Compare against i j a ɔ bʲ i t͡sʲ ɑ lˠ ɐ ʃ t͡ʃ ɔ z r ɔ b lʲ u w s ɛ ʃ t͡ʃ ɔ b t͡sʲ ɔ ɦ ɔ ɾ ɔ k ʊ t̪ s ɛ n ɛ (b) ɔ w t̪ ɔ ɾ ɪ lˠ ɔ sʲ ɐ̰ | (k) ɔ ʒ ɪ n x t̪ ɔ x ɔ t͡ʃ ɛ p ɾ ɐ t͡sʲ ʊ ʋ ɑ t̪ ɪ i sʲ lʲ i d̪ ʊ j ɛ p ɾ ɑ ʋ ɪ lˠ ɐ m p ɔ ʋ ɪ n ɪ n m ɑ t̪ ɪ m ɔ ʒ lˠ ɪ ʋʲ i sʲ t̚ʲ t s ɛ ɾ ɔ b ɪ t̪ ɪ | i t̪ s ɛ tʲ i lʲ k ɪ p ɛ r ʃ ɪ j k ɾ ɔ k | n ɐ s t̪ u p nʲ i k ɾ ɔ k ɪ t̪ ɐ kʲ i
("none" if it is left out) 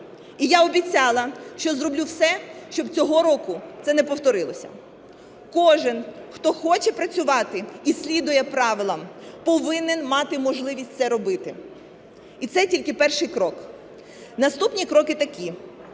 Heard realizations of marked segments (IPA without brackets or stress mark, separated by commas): p, k